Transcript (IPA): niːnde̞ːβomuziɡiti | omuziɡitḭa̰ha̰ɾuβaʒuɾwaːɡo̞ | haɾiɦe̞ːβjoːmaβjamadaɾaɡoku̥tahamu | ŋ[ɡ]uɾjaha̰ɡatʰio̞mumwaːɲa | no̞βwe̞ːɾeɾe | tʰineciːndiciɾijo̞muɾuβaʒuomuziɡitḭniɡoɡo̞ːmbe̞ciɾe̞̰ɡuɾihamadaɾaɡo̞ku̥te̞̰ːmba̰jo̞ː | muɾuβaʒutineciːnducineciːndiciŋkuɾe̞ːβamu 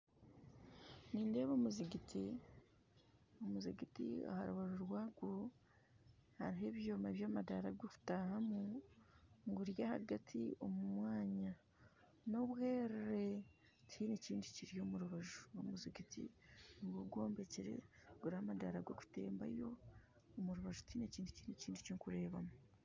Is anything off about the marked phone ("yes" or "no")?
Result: no